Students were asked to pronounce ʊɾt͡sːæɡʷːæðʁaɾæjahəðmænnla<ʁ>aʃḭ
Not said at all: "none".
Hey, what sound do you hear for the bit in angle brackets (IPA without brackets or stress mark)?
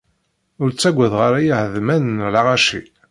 ʁ